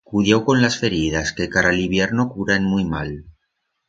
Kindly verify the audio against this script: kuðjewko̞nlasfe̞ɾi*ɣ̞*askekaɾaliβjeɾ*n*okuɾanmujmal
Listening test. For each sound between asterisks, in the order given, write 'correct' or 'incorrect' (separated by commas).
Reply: incorrect, correct